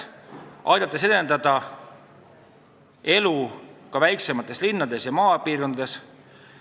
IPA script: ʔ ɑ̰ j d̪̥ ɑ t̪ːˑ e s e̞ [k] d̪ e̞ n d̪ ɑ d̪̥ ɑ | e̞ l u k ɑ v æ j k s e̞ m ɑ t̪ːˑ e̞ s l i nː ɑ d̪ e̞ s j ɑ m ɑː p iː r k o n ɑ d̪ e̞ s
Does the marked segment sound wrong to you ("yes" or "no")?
yes